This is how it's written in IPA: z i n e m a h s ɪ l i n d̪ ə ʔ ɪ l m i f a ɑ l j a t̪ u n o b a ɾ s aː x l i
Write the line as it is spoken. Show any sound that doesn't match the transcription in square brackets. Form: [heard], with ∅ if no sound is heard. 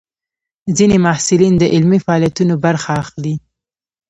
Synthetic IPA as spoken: z i n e m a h s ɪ l i n d̪ ə ʔ ɪ l m i f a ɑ l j a t̪ u n o b a ɾ [x] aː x l i